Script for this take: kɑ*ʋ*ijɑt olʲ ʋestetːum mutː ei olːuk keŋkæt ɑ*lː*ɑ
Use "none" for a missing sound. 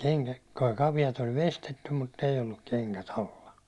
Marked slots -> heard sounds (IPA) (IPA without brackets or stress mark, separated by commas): ʋ, lː